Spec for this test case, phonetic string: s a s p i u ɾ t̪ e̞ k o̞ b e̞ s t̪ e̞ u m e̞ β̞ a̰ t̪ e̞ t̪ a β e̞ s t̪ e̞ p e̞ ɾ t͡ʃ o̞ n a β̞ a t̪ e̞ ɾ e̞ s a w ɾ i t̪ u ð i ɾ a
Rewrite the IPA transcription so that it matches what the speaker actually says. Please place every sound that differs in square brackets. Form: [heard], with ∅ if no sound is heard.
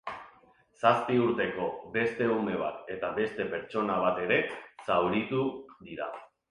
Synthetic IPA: s a s p i u ɾ t̪ e̞ k o̞ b e̞ s t̪ e̞ u m e̞ β̞ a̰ t̪ e̞ t̪ a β e̞ s t̪ e̞ p e̞ ɾ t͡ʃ o̞ n a β̞ a t̪ e̞ ɾ e̞ s a w ɾ i t̪ u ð i ɾ a